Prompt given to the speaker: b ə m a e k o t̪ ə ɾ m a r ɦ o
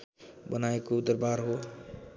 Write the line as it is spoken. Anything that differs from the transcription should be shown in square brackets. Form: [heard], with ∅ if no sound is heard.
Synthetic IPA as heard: b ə [n] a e k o [d̪] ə ɾ [b] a [ɾ] ɦ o